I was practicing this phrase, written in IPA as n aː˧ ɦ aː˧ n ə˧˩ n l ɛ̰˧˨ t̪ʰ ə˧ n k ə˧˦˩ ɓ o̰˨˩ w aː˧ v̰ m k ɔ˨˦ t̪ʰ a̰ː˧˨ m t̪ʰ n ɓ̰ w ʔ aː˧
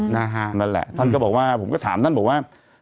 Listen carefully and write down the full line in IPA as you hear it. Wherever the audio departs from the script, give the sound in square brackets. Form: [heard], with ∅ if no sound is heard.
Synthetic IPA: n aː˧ ɦ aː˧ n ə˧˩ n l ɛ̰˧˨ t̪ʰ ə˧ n k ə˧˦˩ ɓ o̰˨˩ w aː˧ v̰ [ŋ͡m] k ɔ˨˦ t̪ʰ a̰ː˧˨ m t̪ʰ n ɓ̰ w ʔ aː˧